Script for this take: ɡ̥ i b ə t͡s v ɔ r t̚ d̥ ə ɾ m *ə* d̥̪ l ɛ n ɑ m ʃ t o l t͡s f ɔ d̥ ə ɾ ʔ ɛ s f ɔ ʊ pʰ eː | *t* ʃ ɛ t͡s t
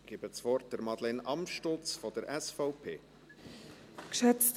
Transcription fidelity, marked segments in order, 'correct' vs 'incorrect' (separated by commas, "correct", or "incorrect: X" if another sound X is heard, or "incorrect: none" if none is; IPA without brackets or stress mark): incorrect: ɑ, incorrect: k